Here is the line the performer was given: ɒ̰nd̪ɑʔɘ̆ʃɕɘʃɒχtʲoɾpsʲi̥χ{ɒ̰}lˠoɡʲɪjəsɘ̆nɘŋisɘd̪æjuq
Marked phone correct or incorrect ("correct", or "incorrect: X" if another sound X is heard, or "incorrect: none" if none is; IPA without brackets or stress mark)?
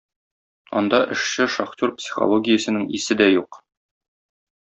incorrect: o̰